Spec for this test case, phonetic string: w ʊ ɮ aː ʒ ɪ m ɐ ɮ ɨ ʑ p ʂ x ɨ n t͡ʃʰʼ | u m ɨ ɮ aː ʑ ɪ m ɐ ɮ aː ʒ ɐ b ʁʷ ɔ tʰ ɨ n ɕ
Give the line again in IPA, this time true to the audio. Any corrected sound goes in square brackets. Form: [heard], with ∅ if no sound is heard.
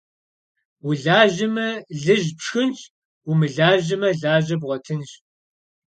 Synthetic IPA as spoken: w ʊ ɮ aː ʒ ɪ m ɐ ɮ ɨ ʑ p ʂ x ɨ n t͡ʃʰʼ | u m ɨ ɮ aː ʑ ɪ m ɐ ɮ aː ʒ ɐ b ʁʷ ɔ tʰ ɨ n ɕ